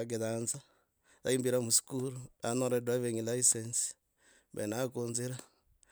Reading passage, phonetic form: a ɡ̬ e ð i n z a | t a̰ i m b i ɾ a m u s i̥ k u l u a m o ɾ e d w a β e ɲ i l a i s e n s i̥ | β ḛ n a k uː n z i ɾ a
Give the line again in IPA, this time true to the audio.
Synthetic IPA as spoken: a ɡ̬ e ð a n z a | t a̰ i m b i ɾ a m u s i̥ k u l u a n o ɾ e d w a β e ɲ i l a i s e n s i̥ | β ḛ n a k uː n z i ɾ a